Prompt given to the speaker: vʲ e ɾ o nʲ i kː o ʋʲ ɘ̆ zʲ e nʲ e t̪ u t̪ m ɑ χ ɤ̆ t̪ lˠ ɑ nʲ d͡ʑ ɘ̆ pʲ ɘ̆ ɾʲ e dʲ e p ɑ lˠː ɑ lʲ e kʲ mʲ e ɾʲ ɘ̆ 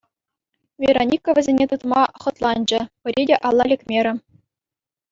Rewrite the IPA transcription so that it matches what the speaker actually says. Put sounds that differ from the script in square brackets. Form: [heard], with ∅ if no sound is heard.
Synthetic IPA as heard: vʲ e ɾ o nʲ i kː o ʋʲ ɘ̆ zʲ e nʲ e t̪ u t̪ m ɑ χ ɤ̆ t̪ lˠ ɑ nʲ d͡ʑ ɘ̆ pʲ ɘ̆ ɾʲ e dʲ e [ʔ] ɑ lˠː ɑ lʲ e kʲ mʲ e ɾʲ ɘ̆